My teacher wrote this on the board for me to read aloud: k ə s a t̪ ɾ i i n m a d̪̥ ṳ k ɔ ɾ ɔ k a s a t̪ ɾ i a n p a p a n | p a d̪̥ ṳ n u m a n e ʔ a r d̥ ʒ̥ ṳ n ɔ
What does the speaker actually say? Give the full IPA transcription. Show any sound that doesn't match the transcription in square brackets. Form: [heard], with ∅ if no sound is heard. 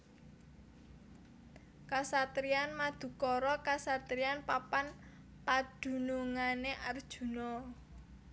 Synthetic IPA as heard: k [a] s a t̪ ɾ i [a] n m a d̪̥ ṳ k ɔ ɾ ɔ k a s a t̪ ɾ i a n p a p a n | p a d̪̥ ṳ n u [ŋ] a n e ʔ a r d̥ ʒ̥ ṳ n ɔ